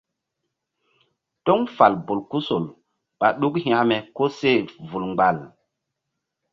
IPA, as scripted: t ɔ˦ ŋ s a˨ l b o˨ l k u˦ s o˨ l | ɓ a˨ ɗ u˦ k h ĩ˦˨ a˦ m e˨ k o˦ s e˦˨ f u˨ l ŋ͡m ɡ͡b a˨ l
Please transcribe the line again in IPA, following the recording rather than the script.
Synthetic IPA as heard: t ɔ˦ ŋ f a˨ l b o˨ l k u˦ s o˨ l | ɓ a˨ ɗ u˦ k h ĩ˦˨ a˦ m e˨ k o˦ s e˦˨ v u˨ l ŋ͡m ɡ͡b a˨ l

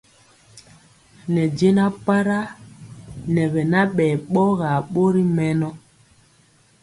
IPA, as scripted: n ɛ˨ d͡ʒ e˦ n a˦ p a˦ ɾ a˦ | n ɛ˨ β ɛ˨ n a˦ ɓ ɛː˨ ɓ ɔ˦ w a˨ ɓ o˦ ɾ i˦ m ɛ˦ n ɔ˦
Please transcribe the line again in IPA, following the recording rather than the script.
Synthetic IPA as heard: n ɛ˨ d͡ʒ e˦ n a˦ p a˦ ɾ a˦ | n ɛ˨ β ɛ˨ n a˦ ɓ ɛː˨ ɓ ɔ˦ ɣ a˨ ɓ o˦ ɾ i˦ m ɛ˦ n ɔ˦

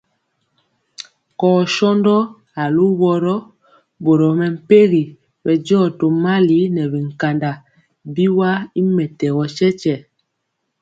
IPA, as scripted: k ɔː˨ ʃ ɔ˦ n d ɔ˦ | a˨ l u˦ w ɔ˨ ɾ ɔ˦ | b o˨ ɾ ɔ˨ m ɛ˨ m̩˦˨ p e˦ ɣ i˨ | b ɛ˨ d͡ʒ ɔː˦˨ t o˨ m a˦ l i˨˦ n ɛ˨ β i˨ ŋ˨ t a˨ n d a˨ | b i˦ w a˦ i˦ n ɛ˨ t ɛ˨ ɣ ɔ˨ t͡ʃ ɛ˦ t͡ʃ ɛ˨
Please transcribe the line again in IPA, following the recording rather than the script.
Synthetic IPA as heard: k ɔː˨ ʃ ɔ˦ n d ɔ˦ | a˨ l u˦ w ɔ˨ ɾ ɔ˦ | b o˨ ɾ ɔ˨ m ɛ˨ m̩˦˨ p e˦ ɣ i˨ | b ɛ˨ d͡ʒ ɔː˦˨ t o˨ m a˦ l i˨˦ n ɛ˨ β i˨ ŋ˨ k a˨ n d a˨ | b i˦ w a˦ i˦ m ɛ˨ t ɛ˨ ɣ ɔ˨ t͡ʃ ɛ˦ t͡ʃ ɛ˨

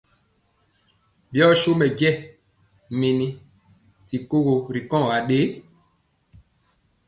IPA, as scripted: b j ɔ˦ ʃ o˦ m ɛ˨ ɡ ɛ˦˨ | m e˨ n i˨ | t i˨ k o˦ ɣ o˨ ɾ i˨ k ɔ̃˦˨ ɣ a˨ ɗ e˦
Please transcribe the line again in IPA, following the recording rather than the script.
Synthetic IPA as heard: b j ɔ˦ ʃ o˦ m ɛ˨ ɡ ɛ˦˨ | m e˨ n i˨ | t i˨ k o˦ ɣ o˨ ɾ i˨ k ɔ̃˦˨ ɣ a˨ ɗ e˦

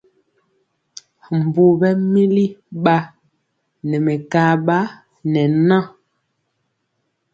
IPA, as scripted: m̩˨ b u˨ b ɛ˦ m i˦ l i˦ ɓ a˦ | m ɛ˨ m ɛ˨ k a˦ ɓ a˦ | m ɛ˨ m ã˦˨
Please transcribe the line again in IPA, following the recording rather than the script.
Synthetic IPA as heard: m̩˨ b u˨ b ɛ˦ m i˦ l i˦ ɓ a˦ | n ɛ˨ m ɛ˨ k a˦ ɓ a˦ | n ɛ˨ n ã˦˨

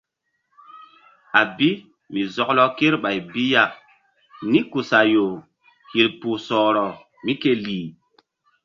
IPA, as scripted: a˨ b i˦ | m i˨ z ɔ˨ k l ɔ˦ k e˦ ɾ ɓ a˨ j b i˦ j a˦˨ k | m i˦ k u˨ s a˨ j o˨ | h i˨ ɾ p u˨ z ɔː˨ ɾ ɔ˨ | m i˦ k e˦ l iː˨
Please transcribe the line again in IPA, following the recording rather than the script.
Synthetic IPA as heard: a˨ b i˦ | m i˨ z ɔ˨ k l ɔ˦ k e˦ ɾ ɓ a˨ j b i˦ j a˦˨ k | n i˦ k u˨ s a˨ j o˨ | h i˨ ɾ p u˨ s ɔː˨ ɾ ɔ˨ | m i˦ k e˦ l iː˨

